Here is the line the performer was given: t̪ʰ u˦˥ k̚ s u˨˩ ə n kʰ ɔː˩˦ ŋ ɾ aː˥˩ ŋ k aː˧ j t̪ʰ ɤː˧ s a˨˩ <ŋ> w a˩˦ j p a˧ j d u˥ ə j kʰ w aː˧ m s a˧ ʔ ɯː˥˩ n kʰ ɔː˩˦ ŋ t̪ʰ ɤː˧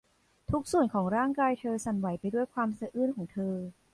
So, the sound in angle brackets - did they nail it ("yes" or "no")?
no